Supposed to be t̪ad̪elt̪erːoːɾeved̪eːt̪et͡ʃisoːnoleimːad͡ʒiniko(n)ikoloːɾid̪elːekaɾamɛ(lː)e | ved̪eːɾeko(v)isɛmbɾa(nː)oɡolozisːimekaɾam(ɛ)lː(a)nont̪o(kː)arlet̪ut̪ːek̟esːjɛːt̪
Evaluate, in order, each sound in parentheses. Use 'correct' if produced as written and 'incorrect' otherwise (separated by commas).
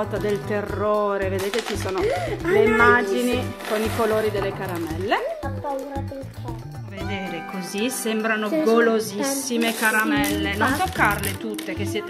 correct, correct, incorrect, incorrect, correct, incorrect, correct